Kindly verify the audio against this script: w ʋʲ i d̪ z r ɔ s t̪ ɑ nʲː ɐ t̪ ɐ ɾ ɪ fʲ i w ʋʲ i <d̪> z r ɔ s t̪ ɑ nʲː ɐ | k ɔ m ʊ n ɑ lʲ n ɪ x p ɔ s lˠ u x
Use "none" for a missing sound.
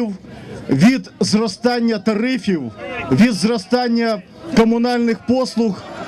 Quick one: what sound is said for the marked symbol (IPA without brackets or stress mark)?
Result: d̪